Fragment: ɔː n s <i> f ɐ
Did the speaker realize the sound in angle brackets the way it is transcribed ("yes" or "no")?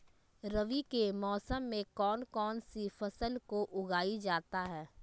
yes